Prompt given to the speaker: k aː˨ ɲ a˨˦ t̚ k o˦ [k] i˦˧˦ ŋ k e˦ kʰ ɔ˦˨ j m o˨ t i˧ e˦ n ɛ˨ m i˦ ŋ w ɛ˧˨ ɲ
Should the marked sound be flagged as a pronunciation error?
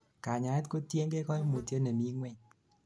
yes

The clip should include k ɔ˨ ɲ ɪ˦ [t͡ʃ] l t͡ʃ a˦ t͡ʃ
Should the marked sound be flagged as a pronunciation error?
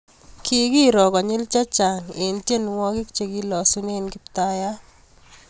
yes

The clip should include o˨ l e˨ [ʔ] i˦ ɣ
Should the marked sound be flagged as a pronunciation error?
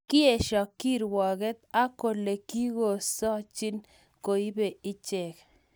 yes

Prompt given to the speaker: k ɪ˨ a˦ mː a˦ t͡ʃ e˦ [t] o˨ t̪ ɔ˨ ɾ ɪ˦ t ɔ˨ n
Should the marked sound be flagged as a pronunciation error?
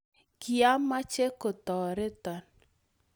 yes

